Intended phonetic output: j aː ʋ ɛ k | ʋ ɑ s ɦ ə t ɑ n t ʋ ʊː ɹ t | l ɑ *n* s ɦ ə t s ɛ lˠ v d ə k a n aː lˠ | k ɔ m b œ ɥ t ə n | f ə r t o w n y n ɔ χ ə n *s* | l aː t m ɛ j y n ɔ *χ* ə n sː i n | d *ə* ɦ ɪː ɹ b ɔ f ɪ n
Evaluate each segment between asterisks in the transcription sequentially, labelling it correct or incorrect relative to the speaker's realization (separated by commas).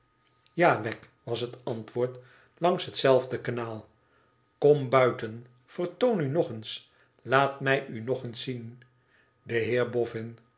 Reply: incorrect, correct, correct, correct